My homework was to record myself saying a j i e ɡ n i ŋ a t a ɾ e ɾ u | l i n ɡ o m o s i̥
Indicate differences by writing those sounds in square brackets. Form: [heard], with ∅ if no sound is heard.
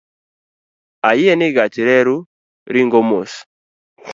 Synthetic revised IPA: a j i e [∅] n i [ɡ] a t [i] ɾ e ɾ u | [ɾ] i [ŋ] ɡ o m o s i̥